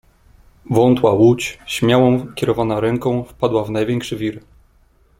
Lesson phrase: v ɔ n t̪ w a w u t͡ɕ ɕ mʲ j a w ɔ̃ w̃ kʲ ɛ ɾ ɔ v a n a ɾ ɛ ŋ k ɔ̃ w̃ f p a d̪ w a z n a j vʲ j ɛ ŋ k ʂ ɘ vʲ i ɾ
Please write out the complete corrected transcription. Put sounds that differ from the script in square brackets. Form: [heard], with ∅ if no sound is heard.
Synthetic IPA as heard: v ɔ n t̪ w a w u t͡ɕ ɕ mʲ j a w ɔ̃ w̃ kʲ ɛ ɾ ɔ v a n a ɾ ɛ ŋ k ɔ̃ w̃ f p a d̪ w a [v] n a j vʲ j ɛ ŋ k ʂ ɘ vʲ i ɾ